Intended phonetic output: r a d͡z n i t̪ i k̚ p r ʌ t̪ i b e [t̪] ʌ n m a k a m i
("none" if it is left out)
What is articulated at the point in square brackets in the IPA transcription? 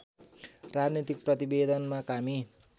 d̪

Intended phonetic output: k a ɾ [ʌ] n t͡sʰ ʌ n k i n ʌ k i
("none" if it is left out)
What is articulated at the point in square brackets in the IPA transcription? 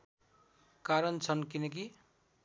ʌ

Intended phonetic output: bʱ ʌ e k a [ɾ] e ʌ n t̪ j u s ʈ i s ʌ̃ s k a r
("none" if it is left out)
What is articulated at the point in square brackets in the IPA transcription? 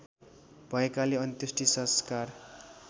l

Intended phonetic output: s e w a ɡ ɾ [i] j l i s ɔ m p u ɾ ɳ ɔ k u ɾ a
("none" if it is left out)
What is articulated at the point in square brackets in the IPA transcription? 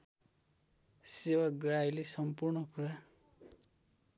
a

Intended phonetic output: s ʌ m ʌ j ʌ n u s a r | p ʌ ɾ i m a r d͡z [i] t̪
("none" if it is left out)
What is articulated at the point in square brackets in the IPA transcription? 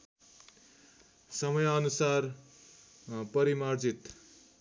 i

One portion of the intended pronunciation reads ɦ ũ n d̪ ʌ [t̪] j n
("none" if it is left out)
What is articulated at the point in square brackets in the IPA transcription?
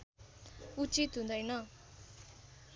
none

